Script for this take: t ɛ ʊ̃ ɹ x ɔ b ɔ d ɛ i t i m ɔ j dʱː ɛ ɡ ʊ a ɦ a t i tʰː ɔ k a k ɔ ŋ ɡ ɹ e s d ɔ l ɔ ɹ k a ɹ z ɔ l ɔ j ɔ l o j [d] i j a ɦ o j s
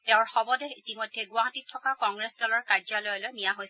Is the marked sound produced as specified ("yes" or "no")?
no